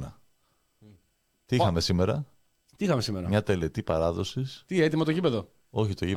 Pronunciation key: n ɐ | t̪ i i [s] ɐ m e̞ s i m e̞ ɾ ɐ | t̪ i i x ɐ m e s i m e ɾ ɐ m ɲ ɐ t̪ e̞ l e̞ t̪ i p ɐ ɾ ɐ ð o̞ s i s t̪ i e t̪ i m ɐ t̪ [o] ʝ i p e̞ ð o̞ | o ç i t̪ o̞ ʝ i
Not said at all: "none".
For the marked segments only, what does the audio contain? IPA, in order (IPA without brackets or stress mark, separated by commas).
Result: x, o